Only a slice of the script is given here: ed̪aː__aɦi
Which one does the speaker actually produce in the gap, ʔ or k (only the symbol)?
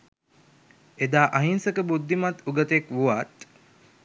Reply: ʔ